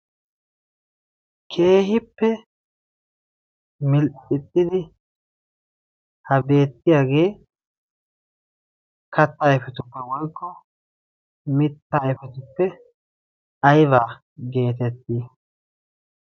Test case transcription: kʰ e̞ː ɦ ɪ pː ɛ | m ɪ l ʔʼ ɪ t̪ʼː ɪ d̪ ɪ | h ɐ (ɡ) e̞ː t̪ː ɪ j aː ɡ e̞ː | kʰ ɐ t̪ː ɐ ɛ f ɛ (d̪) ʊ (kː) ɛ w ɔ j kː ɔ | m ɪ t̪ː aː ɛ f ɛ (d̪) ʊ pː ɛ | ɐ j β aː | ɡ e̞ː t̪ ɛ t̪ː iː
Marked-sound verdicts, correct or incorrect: incorrect: b, incorrect: t̪, incorrect: pː, incorrect: t̪

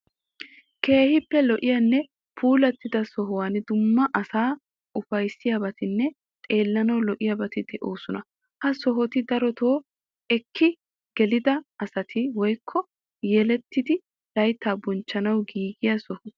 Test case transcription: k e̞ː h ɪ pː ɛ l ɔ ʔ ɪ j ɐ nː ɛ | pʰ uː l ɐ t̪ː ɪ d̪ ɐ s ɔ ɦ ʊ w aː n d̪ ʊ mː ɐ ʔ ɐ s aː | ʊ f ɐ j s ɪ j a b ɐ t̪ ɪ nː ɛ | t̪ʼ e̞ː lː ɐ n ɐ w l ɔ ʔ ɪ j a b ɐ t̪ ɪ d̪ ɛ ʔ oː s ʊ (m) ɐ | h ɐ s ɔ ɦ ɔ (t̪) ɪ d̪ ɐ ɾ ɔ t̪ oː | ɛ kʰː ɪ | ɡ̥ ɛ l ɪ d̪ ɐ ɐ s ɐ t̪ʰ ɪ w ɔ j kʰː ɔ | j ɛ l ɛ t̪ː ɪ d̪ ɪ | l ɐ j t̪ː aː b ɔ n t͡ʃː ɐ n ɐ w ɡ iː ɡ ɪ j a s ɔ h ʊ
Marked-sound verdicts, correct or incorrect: incorrect: n, correct

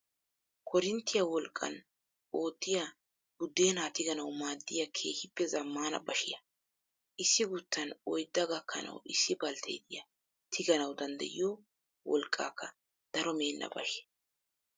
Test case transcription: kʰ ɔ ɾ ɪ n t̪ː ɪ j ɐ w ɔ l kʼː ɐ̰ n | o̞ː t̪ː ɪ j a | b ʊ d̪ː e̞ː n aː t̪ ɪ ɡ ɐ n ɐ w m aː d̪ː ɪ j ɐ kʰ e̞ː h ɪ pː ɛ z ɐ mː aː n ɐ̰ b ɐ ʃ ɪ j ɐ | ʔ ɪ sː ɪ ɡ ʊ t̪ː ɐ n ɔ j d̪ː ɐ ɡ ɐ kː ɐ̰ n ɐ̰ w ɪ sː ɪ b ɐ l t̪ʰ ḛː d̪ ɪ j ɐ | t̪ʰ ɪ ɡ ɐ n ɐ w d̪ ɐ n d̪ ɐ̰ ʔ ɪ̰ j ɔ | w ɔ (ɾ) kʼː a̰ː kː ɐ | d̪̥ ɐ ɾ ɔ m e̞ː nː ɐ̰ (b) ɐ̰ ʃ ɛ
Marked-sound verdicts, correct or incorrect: incorrect: l, correct

